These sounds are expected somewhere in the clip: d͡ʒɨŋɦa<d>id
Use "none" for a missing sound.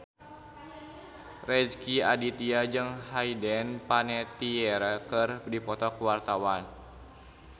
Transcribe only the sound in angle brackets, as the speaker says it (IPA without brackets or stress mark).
none